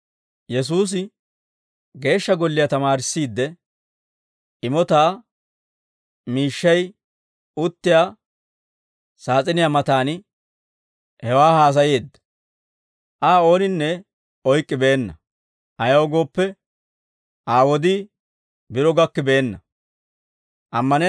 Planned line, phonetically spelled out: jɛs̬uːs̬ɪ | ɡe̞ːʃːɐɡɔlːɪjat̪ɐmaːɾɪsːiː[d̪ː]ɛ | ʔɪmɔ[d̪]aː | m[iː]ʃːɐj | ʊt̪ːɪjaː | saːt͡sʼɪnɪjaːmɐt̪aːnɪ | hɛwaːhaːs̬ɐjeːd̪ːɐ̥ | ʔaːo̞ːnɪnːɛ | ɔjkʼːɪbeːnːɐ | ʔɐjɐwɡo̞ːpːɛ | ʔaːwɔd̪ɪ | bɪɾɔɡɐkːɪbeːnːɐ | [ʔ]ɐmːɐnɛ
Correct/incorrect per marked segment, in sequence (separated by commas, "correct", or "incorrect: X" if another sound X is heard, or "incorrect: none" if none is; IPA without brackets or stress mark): correct, incorrect: t̪, correct, correct